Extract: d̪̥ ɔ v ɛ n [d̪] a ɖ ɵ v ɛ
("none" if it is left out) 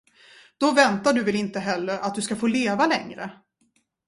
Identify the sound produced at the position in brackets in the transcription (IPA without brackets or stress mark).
t̪